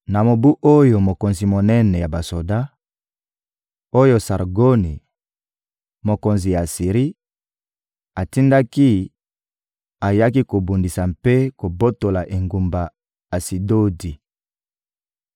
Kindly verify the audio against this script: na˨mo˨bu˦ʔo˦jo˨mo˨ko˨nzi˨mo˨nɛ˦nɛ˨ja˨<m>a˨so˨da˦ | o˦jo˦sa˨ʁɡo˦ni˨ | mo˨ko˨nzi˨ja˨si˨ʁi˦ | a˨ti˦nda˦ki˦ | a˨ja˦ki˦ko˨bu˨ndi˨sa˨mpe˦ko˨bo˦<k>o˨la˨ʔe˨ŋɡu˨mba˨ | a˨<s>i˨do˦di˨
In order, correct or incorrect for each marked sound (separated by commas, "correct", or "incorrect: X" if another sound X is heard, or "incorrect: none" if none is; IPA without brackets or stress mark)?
incorrect: b, incorrect: t, correct